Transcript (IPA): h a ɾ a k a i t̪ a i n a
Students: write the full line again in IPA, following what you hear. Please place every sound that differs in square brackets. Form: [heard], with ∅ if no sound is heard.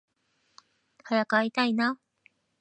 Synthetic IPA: h a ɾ a k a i t̪ a i n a